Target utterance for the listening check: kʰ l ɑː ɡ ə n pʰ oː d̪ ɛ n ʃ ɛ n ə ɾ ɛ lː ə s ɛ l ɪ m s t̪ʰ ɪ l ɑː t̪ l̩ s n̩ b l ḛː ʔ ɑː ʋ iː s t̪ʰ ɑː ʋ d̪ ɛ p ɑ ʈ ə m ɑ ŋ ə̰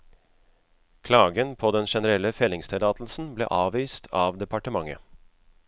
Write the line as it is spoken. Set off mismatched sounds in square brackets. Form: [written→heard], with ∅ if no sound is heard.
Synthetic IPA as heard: kʰ l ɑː ɡ ə n pʰ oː d̪ ɛ n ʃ ɛ n ə ɾ ɛ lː ə [s→f] ɛ l ɪ [m→ŋ] s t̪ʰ ɪ l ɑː t̪ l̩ s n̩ b l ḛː ʔ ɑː ʋ iː s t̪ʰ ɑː ʋ d̪ ɛ p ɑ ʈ ə m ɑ ŋ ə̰